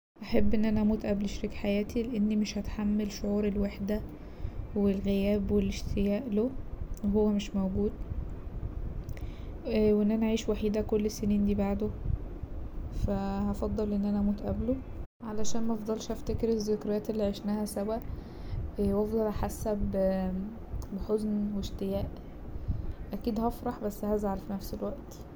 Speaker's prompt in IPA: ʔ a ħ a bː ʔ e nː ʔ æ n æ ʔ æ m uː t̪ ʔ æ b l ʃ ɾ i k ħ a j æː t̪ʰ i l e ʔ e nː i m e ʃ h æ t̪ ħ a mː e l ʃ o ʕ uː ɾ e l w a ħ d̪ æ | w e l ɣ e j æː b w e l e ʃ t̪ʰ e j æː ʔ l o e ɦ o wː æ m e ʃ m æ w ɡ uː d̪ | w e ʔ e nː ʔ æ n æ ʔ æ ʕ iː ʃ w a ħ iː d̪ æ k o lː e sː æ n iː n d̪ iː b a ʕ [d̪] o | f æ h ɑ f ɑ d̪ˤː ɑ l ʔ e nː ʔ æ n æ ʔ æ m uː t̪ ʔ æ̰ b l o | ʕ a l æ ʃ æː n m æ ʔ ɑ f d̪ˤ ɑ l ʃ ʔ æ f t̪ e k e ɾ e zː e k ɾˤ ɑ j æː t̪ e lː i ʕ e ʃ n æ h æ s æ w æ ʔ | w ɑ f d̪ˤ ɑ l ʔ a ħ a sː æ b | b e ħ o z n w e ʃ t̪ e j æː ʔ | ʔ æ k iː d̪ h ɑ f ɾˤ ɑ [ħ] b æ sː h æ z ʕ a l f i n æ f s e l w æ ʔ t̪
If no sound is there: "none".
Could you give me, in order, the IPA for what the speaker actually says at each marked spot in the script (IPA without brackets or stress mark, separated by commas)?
d̪, ħ